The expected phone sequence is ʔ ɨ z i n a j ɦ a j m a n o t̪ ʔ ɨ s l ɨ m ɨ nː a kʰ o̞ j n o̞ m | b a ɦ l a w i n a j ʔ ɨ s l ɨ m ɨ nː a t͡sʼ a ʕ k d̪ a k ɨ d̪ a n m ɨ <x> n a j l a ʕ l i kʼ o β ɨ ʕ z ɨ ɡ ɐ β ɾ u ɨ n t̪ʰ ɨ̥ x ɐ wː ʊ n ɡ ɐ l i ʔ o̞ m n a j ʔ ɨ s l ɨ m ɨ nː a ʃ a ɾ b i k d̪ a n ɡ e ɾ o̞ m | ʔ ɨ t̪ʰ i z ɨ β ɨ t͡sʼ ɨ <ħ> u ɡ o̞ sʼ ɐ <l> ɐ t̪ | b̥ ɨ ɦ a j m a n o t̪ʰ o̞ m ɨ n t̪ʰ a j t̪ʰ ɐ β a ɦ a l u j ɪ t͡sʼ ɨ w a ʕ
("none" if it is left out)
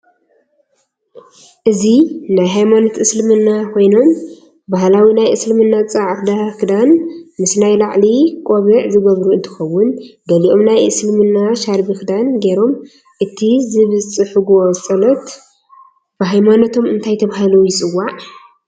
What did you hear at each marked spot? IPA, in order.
s, ħ, l

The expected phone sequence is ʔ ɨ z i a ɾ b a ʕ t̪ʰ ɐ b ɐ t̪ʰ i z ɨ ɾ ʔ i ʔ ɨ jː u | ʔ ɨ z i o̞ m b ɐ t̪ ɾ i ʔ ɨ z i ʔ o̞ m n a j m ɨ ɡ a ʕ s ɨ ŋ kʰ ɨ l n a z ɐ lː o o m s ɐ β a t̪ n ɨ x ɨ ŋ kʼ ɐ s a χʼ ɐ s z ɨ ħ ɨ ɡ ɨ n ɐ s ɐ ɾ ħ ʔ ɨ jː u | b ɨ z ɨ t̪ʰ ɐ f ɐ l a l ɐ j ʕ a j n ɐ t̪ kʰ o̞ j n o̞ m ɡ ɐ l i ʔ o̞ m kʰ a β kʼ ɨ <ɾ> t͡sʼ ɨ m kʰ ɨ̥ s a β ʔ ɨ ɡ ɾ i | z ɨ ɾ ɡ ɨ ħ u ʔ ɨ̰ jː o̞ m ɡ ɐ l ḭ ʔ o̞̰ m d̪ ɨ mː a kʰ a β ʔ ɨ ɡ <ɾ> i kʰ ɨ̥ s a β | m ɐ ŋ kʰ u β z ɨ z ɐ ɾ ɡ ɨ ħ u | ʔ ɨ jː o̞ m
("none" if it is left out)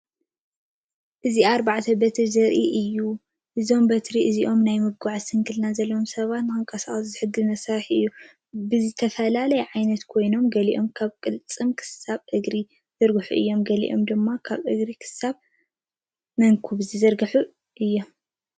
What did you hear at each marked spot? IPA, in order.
l, ɾ

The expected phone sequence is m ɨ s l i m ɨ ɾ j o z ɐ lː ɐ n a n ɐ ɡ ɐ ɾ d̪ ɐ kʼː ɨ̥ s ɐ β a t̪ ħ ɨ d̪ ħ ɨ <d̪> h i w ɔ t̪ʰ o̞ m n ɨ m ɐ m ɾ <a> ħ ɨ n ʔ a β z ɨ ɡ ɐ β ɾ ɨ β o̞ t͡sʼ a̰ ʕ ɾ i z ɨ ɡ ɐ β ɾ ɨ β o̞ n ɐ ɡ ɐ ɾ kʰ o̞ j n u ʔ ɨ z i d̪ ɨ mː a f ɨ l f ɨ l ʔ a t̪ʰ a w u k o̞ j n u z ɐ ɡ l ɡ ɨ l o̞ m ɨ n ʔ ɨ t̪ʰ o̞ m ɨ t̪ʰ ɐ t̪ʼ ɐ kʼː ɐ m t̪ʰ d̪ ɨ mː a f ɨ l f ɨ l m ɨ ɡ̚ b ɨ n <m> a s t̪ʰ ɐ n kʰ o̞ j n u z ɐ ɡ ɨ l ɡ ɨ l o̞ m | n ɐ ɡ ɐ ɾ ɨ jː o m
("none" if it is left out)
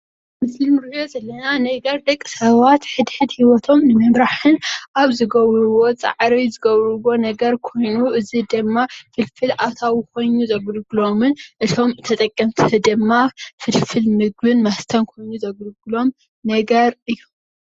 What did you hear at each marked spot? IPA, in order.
d̪, a, m

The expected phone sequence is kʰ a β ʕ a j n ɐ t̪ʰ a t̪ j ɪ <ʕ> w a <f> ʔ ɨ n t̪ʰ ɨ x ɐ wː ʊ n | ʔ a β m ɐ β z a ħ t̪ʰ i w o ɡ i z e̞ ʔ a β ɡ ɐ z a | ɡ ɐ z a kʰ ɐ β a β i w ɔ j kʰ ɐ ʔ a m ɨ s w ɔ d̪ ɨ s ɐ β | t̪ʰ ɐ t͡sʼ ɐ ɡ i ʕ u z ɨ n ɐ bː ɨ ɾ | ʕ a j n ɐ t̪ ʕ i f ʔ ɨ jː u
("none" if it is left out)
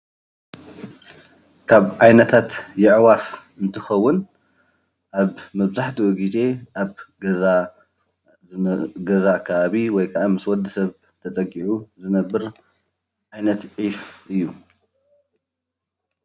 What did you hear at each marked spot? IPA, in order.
ʕ, f

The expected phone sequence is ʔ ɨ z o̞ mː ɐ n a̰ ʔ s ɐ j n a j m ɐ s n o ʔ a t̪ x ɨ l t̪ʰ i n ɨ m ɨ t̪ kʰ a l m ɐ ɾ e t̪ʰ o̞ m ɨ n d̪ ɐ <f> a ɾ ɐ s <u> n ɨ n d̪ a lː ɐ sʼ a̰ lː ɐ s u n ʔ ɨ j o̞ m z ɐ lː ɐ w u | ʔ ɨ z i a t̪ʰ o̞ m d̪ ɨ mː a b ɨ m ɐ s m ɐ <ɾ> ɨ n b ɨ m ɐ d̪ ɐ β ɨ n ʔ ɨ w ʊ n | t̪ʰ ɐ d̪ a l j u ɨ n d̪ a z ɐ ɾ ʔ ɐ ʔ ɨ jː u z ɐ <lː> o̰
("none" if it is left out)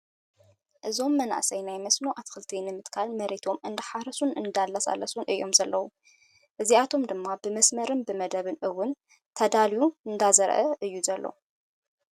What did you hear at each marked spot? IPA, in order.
ħ, u, ɾ, lː

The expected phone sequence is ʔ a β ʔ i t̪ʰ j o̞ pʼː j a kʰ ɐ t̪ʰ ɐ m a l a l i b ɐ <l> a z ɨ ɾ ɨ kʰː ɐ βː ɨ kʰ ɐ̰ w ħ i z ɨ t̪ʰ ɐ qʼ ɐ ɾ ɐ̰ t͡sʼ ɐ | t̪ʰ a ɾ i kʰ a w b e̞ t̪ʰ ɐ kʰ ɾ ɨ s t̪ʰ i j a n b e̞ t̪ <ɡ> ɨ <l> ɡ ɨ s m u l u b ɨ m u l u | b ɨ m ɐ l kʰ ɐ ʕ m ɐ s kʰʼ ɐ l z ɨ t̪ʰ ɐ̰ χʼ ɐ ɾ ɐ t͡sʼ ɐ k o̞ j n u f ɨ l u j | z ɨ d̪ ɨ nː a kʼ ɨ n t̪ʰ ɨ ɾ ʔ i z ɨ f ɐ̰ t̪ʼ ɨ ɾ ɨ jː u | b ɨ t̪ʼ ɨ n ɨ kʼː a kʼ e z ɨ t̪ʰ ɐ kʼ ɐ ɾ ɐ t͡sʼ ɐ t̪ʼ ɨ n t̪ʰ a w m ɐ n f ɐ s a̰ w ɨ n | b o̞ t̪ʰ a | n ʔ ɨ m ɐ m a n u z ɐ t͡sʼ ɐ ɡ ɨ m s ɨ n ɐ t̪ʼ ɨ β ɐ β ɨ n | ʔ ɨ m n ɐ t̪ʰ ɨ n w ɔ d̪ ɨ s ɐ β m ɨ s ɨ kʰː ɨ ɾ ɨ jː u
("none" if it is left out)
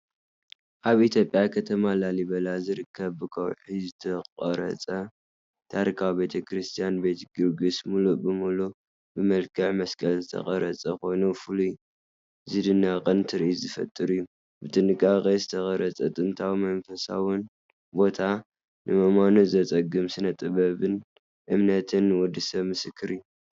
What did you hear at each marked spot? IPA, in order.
l, ɡ, ɾ

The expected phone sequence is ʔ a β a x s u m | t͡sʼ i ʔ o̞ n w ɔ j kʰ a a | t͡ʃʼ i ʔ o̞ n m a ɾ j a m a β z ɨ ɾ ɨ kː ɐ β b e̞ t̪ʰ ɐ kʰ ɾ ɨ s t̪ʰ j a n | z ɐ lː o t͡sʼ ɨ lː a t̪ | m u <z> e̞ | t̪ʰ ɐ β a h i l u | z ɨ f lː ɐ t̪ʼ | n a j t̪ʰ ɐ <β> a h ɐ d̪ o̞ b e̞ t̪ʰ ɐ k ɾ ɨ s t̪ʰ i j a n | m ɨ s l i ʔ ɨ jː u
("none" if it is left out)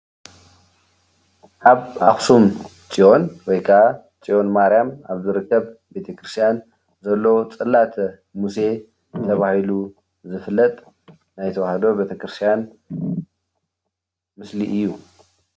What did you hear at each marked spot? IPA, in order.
s, w

